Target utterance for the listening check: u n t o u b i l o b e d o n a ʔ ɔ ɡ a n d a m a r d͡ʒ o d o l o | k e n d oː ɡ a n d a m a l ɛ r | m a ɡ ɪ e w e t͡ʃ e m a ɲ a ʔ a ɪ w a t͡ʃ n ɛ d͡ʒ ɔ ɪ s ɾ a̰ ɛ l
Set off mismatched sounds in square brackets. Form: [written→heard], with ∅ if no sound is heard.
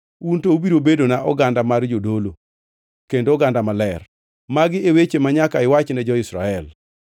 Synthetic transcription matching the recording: u n t o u b i [l→ɾ] o b e d o n a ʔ ɔ ɡ a n d a m a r d͡ʒ o d o l o | k e n d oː ɡ a n d a m a l ɛ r | m a ɡ ɪ e w e t͡ʃ e m a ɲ a [ʔ→k] a ɪ w a t͡ʃ n ɛ d͡ʒ ɔ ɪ s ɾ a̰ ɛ l